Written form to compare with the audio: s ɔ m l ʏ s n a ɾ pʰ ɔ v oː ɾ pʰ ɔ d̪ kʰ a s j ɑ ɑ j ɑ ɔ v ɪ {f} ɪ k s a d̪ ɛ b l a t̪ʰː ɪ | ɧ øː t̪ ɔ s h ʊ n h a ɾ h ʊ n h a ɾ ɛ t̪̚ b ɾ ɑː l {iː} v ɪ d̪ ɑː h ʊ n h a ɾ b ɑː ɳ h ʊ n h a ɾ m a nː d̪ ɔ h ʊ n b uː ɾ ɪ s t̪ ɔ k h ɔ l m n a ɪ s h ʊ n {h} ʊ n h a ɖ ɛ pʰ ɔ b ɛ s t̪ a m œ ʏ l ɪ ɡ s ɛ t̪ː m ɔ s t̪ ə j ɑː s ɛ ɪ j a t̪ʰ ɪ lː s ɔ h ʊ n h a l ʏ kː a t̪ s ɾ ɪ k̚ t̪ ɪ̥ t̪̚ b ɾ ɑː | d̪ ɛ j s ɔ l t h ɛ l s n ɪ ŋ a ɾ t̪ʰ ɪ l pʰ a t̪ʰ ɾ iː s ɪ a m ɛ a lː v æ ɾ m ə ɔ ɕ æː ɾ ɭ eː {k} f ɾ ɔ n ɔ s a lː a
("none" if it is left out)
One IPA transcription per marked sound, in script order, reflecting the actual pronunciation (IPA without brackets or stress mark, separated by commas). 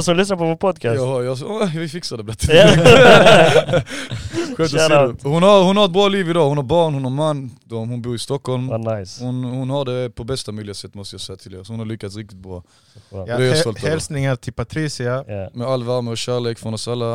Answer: f, iː, h, k